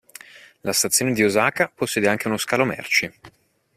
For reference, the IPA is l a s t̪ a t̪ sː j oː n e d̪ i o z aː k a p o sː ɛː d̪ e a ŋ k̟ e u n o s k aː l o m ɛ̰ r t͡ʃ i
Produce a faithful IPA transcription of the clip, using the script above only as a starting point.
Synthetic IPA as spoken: l a s t̪ a t̪ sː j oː n e d̪ i o z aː k a p o sː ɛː d̪ e a ŋ k̟ e u n o s k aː l o m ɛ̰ r t͡ʃ i